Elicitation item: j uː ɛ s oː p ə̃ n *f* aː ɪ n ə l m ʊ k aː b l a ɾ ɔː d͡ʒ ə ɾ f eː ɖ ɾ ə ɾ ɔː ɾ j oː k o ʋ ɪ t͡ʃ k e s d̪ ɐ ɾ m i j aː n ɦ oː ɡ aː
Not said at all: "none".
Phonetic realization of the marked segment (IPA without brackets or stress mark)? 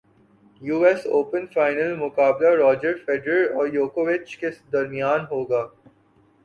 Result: f